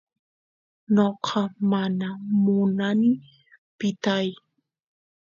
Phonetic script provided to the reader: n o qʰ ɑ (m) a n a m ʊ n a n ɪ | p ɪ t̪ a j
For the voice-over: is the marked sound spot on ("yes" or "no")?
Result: yes